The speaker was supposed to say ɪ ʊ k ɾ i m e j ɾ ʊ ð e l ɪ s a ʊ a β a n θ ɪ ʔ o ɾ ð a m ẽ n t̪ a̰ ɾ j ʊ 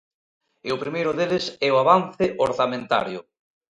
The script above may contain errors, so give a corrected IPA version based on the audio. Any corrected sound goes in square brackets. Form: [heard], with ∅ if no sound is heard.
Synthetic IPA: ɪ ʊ [p] ɾ i m e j ɾ ʊ ð e l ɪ s [ɛ] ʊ a β a n θ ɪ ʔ o ɾ [θ] a m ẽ n t̪ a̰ ɾ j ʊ